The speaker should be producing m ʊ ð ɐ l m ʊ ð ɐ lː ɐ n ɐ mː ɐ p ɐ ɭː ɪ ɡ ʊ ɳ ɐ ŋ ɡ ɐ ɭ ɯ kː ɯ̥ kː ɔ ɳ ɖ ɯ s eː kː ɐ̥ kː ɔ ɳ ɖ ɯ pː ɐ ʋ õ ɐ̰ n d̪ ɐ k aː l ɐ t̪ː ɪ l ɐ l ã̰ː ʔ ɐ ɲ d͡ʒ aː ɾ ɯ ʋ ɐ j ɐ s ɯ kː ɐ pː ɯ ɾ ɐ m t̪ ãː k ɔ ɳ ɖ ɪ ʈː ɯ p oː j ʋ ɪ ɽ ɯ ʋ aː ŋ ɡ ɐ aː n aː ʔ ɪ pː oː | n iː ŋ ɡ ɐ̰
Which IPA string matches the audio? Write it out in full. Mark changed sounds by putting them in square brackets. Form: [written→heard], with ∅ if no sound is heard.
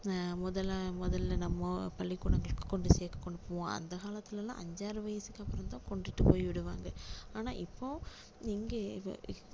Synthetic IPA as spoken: m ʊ ð ɐ l m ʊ ð ɐ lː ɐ n ɐ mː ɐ p ɐ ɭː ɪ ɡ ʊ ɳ ɐ ŋ ɡ ɐ ɭ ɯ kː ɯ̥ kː ɔ ɳ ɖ ɯ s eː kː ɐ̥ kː ɔ ɳ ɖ ɯ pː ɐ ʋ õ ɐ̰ n d̪ ɐ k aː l ɐ t̪ː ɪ l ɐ l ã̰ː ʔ ɐ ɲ d͡ʒ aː ɾ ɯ ʋ ɐ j ɐ s ɯ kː ɐ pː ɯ ɾ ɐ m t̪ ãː k ɔ ɳ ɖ ɪ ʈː ɯ p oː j ʋ ɪ ɽ ɯ ʋ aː ŋ ɡ ɐ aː n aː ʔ ɪ pː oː | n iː ŋ ɡ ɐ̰

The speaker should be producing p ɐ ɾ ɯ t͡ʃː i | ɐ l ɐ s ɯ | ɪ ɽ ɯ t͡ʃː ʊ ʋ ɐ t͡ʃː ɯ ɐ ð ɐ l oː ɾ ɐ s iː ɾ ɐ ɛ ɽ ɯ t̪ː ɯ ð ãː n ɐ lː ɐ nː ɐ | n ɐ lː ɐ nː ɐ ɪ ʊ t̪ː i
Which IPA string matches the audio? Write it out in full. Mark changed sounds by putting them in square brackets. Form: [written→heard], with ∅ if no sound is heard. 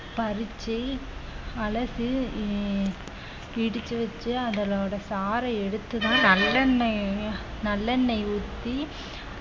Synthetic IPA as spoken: p ɐ ɾ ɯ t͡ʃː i | ɐ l ɐ s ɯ | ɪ ɽ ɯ t͡ʃː [ʊ→ɯ] ʋ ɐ t͡ʃː ɯ ɐ ð ɐ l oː [ɾ→ɽ] ɐ s [iː→aː] ɾ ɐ ɛ ɽ ɯ t̪ː ɯ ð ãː n ɐ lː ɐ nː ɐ | n ɐ lː ɐ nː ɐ ɪ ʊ t̪ː i

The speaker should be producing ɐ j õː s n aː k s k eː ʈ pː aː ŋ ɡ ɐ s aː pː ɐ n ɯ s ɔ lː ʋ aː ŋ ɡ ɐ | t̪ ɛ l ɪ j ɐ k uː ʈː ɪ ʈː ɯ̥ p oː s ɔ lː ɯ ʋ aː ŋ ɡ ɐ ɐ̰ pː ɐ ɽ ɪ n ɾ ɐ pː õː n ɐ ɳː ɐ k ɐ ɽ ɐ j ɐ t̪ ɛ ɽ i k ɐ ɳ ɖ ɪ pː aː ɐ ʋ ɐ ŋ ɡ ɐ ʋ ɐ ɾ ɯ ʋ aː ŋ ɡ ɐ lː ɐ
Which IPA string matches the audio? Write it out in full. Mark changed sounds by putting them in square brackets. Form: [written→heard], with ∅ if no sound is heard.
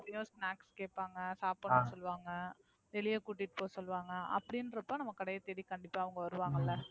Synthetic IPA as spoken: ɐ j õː s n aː k s k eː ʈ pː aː ŋ ɡ ɐ s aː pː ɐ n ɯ s ɔ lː ʋ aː ŋ ɡ ɐ | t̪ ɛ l ɪ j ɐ k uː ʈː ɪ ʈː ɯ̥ p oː s ɔ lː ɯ ʋ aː ŋ ɡ ɐ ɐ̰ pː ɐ ɽ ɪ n ɾ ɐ pː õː n ɐ [ɳː→mː] ɐ k ɐ ɽ ɐ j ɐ t̪ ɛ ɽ i k ɐ ɳ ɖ ɪ pː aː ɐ ʋ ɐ ŋ ɡ ɐ ʋ ɐ ɾ ɯ ʋ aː ŋ ɡ ɐ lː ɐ

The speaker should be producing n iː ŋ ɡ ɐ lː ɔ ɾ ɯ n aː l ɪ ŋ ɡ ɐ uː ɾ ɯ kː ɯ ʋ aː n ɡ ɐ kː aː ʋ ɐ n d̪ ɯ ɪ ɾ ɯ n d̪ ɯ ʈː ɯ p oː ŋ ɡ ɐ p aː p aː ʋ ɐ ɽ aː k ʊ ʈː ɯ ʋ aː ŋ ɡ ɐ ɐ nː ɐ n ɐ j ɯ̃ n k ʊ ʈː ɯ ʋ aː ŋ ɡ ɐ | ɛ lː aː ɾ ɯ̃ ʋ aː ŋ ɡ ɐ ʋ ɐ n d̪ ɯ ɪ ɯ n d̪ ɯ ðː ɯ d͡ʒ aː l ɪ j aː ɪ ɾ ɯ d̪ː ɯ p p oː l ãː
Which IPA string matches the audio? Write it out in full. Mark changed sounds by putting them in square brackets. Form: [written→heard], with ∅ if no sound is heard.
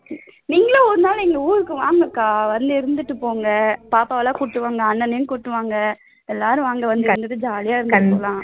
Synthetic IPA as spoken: n iː ŋ ɡ ɐ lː ɔ ɾ ɯ n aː l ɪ ŋ ɡ ɐ uː ɾ ɯ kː ɯ ʋ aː [n→ŋ] ɡ ɐ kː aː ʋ ɐ n d̪ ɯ ɪ ɾ ɯ n d̪ ɯ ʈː ɯ p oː ŋ ɡ ɐ p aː p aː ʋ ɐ [ɽ→l] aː k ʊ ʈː ɯ ʋ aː ŋ ɡ ɐ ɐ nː ɐ n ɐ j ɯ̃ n k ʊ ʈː ɯ ʋ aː ŋ ɡ ɐ | ɛ lː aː ɾ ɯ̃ ʋ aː ŋ ɡ ɐ ʋ ɐ n d̪ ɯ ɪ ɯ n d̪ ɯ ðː ɯ d͡ʒ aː l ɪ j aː ɪ ɾ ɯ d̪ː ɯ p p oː l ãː

